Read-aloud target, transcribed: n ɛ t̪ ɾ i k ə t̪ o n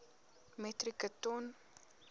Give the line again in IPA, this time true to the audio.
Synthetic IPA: m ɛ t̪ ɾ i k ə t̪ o n